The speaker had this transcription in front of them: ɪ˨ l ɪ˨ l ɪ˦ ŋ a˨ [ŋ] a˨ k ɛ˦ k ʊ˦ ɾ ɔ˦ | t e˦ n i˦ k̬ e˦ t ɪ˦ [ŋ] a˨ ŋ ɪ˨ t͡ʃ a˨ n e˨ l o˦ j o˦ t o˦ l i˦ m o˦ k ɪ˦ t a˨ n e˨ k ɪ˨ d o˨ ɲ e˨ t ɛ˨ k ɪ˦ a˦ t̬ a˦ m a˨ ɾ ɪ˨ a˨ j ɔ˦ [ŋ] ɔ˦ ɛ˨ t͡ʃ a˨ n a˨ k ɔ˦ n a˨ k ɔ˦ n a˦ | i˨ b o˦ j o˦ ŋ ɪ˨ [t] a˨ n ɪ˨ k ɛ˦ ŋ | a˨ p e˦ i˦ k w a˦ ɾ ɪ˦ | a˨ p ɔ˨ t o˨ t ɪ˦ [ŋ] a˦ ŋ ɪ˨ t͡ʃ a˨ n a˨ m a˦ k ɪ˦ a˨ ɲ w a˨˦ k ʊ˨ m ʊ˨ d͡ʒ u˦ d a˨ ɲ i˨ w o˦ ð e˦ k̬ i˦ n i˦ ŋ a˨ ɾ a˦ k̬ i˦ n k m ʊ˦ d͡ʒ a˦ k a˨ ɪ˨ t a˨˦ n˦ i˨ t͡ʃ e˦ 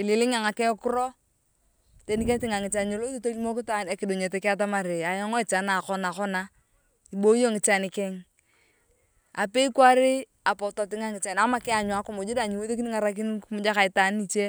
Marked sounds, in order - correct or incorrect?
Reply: correct, correct, correct, incorrect: t͡ʃ, correct

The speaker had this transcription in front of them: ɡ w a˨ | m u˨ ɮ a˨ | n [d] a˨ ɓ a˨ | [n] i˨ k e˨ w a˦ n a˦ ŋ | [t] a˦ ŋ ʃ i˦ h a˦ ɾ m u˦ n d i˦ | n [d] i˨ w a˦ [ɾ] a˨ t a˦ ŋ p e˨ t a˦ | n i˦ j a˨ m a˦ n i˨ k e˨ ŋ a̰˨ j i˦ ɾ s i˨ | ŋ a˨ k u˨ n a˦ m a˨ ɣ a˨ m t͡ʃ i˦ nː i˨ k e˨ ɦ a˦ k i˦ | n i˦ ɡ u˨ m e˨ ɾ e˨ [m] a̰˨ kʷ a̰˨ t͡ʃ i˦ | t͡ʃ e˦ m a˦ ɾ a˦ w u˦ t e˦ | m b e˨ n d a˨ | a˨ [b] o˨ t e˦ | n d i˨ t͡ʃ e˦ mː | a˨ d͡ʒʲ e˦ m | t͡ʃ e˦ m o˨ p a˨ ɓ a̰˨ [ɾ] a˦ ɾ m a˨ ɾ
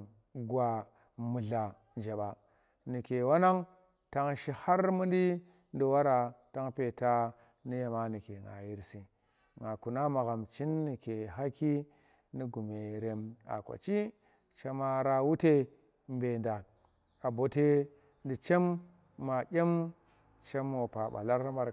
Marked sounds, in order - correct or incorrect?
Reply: incorrect: d͡ʒ, correct, correct, correct, correct, correct, correct, incorrect: l

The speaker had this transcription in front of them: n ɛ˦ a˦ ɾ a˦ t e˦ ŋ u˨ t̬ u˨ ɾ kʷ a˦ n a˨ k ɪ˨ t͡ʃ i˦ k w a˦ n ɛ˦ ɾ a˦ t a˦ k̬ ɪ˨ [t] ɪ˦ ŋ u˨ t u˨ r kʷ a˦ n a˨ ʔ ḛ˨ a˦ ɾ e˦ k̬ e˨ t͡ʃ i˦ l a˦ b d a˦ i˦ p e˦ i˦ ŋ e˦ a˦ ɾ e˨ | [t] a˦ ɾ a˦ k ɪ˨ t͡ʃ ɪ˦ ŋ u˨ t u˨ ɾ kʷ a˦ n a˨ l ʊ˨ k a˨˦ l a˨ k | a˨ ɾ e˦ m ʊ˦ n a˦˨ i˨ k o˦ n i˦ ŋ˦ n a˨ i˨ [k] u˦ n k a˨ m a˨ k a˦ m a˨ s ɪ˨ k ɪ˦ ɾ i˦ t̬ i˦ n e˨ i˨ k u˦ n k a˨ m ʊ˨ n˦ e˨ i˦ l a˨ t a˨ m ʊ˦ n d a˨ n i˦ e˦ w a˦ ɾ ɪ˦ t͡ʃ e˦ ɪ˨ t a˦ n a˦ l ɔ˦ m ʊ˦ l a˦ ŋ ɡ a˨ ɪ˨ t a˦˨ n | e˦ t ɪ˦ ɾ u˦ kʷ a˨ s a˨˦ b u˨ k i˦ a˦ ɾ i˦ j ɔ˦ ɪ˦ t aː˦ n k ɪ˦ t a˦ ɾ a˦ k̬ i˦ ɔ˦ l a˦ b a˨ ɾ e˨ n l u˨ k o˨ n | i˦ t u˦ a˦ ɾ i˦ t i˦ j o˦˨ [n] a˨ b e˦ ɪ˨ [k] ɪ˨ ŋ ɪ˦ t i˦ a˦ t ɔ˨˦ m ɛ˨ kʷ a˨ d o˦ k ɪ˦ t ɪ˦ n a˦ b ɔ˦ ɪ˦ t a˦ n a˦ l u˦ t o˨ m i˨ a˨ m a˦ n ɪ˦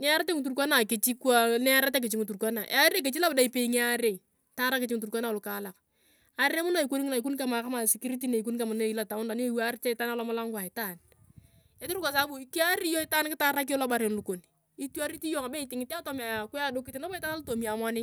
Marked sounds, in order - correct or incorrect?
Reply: incorrect: t͡ʃ, correct, correct, incorrect: ŋ, incorrect: t

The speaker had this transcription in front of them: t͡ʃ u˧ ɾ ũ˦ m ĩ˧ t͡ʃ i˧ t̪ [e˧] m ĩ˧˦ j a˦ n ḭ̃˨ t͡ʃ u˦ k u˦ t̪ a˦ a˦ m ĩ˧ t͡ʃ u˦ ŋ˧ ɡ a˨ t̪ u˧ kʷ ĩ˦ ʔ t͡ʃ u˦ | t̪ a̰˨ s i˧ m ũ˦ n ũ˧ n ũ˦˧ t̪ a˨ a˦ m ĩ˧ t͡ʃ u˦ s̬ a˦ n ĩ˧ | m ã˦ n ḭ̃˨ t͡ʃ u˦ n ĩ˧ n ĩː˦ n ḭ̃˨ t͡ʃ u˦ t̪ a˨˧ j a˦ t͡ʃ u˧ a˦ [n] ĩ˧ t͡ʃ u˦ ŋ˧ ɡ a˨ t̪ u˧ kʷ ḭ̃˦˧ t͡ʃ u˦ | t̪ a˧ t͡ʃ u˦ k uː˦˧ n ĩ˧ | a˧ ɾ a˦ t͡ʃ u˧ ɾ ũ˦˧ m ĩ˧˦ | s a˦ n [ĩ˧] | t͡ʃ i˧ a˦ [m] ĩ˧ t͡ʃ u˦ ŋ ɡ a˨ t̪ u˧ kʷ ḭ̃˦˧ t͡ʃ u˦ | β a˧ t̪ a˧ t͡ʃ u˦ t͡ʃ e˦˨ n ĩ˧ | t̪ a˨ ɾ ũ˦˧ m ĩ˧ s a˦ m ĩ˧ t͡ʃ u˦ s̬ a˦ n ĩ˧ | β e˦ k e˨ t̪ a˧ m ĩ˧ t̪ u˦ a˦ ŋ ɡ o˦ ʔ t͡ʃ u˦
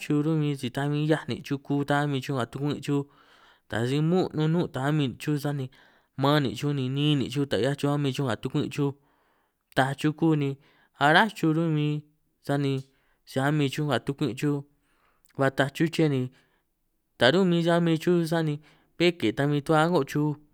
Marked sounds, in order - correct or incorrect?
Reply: incorrect: a˧, incorrect: m, correct, correct

